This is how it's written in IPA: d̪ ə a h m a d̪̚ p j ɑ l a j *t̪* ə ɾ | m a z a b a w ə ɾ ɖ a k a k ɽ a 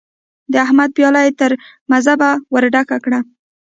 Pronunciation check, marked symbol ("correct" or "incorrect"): correct